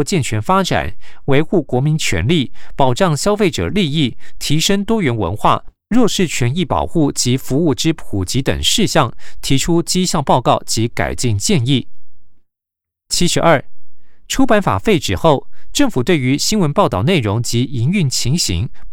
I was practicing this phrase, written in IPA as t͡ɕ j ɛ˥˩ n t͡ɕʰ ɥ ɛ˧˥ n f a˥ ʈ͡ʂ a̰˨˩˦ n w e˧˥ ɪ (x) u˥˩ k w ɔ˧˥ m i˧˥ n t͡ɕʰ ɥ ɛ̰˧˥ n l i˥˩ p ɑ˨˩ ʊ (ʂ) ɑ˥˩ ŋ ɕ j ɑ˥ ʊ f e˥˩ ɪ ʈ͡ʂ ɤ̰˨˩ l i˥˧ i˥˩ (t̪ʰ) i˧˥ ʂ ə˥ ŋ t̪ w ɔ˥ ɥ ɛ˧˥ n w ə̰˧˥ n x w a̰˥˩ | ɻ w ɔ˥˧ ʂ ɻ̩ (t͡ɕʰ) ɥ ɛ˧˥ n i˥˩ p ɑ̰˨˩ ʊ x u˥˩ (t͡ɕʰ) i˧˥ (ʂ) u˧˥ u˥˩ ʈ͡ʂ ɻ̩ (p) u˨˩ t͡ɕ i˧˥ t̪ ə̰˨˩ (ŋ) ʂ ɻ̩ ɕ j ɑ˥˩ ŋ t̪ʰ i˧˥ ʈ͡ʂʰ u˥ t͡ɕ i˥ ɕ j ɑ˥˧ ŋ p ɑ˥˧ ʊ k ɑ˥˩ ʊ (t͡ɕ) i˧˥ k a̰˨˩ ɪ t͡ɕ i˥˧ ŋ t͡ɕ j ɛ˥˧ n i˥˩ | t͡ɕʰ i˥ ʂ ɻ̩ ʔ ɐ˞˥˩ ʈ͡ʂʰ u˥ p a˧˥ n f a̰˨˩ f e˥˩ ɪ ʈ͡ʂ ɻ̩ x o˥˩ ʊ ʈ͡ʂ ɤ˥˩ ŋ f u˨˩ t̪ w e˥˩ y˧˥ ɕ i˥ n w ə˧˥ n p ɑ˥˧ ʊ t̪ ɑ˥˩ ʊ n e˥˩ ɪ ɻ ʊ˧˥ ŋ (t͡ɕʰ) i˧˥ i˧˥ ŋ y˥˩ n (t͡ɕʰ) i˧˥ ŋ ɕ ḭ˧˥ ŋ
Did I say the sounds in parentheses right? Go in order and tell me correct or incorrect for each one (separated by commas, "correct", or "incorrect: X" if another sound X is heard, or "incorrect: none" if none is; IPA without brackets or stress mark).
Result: correct, incorrect: ʈ͡ʂ, correct, correct, incorrect: t͡ɕ, incorrect: f, incorrect: pʰ, correct, correct, incorrect: t͡ɕ, correct